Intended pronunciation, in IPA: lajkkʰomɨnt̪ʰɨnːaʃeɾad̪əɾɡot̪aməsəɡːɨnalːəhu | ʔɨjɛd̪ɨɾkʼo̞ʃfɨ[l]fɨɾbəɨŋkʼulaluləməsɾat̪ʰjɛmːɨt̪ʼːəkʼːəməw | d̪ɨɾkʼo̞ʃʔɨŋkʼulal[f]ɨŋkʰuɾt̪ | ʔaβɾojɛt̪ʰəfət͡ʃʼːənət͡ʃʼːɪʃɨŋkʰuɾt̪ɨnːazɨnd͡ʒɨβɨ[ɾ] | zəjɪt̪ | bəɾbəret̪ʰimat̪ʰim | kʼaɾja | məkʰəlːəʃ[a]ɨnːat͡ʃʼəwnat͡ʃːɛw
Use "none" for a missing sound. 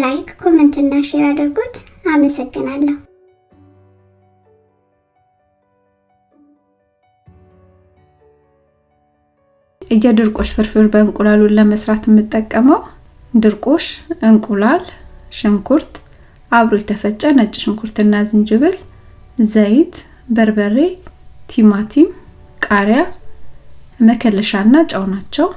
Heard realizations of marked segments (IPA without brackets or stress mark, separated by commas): ɾ, ʃ, l, a